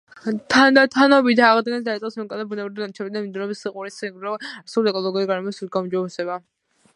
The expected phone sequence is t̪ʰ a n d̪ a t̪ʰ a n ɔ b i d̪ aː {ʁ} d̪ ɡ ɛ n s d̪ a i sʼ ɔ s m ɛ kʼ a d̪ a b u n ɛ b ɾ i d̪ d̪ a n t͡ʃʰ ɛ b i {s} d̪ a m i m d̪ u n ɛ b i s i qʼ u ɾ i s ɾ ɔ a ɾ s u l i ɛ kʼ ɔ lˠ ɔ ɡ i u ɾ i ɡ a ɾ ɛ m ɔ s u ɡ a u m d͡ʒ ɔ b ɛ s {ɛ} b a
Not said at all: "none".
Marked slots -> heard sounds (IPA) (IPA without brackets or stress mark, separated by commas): ʁ, none, ɛ